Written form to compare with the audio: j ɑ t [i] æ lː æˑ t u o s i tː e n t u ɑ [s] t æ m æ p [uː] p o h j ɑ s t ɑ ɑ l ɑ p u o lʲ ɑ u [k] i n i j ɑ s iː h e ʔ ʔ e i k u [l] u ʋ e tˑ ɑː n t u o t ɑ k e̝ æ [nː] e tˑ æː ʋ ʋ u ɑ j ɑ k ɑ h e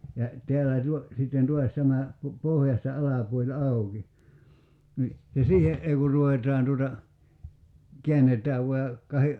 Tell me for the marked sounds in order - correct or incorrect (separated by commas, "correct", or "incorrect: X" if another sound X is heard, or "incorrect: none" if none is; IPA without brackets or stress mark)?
incorrect: e, correct, incorrect: u, correct, incorrect: r, correct